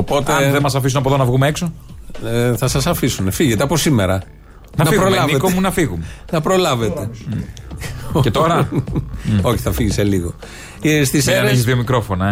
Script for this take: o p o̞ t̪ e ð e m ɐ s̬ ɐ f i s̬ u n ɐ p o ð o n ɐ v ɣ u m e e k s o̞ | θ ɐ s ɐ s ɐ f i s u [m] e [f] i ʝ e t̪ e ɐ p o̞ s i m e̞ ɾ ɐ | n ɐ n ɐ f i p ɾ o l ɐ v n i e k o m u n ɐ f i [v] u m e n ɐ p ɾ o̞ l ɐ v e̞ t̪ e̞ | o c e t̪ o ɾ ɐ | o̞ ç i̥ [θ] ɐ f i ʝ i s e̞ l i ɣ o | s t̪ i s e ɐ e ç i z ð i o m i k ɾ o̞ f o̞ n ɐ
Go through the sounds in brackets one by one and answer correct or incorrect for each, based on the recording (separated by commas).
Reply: incorrect, correct, incorrect, correct